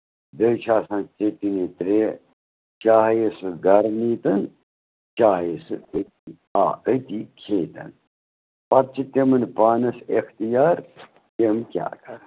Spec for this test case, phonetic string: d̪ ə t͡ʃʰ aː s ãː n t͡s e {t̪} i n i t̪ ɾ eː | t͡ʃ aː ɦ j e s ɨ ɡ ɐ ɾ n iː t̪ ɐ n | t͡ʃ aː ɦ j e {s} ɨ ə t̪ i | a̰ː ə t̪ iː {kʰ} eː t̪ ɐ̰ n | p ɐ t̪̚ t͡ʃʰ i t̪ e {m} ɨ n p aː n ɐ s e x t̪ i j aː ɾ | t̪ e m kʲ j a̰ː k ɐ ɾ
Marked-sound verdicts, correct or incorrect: correct, correct, correct, correct

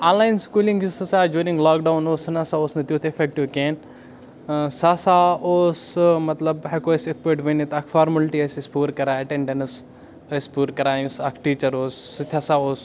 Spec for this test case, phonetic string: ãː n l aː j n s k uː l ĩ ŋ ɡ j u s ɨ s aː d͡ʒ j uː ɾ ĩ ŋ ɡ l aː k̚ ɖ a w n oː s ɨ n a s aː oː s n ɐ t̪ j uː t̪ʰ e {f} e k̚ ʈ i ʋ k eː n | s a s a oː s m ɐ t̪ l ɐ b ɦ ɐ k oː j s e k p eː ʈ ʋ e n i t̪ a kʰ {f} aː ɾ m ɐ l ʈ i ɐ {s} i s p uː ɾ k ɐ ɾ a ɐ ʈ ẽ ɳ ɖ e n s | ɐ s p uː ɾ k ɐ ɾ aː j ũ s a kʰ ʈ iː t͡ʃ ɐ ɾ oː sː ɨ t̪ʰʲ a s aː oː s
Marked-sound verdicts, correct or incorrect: correct, correct, correct

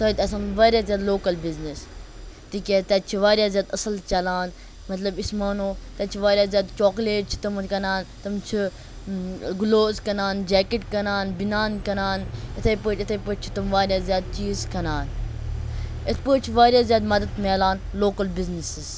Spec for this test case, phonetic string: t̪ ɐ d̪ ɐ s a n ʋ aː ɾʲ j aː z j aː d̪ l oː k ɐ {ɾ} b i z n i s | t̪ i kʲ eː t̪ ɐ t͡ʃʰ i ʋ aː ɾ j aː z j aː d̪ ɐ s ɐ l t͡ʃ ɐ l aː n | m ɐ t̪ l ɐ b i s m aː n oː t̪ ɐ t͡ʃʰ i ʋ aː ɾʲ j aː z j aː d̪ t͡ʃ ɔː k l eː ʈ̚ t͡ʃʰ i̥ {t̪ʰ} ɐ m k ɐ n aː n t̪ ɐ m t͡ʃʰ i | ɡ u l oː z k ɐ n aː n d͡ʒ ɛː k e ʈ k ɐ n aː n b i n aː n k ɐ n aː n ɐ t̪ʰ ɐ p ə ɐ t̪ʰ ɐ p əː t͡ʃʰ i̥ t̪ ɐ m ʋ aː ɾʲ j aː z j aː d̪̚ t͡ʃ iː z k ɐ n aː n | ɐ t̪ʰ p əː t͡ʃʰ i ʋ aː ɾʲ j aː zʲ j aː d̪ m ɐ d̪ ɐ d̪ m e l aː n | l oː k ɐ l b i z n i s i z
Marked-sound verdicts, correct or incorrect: incorrect: l, incorrect: t̪

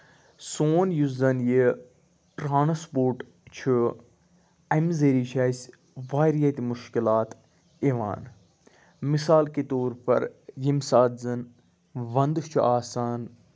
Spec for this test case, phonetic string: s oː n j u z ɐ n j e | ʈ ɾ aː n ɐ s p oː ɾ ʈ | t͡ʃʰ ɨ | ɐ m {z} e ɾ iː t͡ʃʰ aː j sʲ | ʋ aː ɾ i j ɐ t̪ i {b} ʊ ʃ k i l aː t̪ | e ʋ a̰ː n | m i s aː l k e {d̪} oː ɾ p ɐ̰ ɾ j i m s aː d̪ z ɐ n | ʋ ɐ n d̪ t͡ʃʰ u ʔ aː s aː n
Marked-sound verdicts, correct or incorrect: correct, incorrect: m, incorrect: t̪

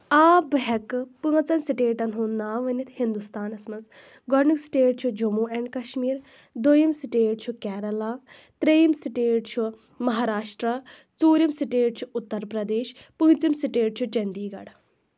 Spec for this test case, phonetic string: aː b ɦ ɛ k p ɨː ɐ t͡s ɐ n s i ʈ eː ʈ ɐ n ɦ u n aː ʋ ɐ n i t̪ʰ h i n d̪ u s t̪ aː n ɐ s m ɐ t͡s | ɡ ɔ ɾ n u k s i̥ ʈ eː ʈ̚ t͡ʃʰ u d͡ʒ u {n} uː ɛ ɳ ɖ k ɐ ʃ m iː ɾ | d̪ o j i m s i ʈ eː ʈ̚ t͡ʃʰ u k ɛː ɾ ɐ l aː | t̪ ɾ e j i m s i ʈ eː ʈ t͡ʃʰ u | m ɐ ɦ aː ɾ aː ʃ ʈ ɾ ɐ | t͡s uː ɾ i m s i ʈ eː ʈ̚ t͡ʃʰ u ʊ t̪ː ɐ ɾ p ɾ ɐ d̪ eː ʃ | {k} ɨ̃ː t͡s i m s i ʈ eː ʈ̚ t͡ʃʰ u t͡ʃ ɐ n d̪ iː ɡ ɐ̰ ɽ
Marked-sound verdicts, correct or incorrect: incorrect: m, incorrect: p

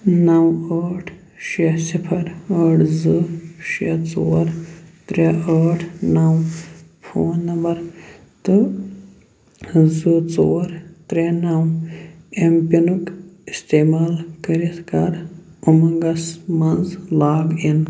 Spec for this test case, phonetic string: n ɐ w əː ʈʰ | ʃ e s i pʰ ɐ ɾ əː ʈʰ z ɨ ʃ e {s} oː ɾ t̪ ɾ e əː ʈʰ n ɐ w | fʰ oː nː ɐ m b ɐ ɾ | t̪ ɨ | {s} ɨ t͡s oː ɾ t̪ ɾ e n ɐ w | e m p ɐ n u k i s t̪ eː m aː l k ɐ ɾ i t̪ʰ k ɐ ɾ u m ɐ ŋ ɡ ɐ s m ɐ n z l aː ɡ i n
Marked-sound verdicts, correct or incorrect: incorrect: t͡s, incorrect: z

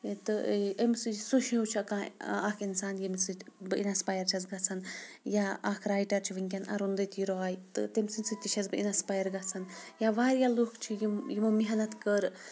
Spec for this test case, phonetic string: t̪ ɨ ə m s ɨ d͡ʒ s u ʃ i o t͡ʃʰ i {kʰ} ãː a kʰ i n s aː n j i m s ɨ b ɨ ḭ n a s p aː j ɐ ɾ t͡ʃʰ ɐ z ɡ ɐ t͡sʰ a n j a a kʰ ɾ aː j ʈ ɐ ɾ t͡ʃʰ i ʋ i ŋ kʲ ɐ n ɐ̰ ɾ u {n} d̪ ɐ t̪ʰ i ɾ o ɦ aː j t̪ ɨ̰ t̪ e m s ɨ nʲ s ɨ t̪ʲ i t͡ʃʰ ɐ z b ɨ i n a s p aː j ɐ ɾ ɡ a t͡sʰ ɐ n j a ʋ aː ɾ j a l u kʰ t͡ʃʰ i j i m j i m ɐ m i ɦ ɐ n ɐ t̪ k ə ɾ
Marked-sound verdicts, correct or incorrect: incorrect: k, correct

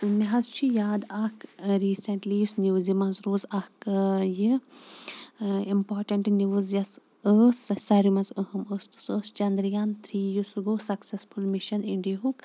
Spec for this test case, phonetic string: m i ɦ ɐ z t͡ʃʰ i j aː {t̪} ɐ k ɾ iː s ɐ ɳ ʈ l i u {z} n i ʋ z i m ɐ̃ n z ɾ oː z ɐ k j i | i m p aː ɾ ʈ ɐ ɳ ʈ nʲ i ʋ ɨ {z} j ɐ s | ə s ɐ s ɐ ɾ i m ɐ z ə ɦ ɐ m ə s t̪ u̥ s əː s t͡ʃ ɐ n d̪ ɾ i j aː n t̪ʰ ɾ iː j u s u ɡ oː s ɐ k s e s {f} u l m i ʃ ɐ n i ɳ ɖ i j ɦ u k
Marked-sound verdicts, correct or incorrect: incorrect: d̪, incorrect: s, correct, correct

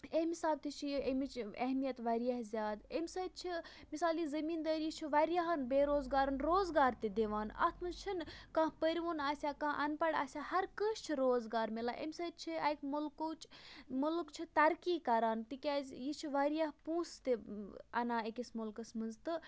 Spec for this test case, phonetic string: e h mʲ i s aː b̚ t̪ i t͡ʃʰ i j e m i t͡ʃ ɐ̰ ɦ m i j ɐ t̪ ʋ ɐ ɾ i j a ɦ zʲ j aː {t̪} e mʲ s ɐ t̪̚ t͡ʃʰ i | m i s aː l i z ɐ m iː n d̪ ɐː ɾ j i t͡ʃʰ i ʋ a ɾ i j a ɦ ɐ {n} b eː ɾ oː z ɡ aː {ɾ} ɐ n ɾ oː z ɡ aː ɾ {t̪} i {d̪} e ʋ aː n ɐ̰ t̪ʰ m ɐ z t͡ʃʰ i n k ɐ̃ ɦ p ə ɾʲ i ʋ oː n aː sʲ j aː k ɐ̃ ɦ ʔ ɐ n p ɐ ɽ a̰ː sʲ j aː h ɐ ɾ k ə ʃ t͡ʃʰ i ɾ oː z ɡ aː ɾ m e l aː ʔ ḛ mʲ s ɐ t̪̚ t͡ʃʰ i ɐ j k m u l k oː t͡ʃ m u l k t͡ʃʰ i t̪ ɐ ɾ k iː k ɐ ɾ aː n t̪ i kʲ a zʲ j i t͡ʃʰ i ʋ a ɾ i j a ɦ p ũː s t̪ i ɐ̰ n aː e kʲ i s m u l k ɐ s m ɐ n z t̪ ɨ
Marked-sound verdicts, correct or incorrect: incorrect: d̪, correct, correct, correct, correct

